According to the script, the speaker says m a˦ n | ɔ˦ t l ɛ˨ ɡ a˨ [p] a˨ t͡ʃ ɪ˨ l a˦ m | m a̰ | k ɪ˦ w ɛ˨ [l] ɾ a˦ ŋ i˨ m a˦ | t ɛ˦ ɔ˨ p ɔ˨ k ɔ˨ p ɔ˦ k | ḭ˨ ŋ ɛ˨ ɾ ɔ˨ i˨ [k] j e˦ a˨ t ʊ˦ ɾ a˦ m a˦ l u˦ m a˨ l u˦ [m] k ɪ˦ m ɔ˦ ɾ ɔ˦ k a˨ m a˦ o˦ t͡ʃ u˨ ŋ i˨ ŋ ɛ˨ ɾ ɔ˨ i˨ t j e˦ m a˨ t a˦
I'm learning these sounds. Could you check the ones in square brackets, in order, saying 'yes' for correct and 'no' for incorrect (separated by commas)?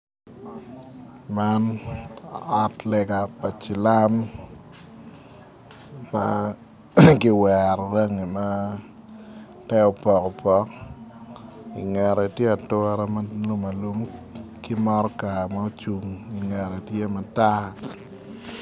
yes, no, no, yes